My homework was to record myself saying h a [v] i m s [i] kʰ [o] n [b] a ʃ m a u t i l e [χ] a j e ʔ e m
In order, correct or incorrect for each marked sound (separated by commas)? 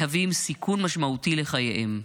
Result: correct, correct, incorrect, incorrect, correct